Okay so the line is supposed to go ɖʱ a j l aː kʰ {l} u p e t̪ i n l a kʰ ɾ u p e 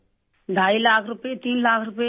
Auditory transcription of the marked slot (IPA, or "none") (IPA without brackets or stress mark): ɾ